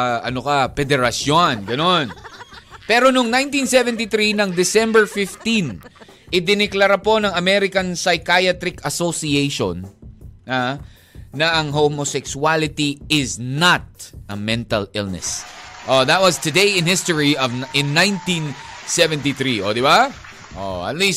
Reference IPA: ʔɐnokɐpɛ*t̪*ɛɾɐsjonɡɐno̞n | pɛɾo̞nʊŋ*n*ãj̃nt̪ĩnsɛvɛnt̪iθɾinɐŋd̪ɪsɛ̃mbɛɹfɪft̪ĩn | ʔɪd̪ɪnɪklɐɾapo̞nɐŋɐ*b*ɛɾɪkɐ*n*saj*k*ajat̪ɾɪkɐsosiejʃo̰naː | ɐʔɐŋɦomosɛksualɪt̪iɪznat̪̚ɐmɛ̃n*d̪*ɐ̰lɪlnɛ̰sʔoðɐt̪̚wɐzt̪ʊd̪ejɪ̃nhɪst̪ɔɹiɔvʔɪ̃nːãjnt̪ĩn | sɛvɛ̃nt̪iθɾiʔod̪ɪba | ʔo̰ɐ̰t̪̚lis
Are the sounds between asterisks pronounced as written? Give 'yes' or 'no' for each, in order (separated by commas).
no, yes, no, yes, yes, no